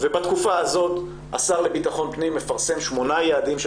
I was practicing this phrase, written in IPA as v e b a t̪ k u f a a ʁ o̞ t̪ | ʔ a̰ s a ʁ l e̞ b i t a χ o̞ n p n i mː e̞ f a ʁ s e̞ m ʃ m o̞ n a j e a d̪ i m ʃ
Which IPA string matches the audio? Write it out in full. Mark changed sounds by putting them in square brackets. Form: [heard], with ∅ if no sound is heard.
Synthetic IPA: v e b a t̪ k u f a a [z] o̞ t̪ | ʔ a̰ s a ʁ l e̞ b i t a χ o̞ n p n i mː e̞ f a ʁ s e̞ m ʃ m o̞ n a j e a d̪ i m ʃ